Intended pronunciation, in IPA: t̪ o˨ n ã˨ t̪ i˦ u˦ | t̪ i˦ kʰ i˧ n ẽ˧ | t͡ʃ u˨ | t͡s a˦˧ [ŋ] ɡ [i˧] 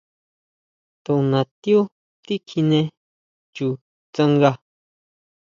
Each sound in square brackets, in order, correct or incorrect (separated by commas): correct, incorrect